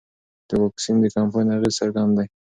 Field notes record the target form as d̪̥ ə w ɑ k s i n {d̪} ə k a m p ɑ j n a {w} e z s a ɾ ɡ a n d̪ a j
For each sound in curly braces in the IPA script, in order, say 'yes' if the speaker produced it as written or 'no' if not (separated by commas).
yes, no